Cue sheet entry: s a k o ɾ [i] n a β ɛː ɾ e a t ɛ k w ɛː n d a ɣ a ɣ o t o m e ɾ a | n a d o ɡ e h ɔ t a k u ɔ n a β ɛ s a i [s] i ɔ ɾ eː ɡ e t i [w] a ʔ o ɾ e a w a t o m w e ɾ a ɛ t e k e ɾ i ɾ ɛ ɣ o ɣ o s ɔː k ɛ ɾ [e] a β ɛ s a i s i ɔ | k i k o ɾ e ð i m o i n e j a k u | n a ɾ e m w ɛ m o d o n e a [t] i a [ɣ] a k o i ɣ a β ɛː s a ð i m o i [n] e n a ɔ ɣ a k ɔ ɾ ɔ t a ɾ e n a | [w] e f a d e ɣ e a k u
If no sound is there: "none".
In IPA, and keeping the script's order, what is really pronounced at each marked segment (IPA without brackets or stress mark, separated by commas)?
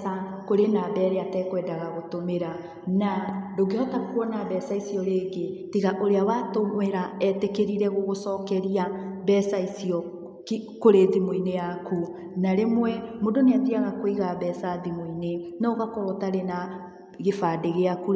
e, s, ɣ, i, t, ɣ, n, ɣ